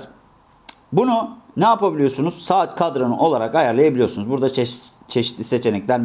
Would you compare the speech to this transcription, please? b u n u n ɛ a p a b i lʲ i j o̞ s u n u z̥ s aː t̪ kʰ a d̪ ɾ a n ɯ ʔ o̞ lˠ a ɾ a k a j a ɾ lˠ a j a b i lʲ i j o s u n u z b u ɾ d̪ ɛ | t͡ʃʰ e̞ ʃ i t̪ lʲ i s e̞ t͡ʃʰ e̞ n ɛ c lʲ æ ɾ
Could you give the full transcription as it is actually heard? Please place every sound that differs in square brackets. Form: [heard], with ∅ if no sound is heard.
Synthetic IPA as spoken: b u n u n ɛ a p a b i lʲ i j o̞ s u n u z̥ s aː t̪ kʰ a d̪ ɾ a n ɯ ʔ o̞ lˠ a ɾ a k a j a ɾ lˠ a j a b i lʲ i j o s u n u z b u ɾ d̪ [a] | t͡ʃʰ e̞ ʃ i t̪ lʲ i s e̞ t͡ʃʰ e̞ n ɛ c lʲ æ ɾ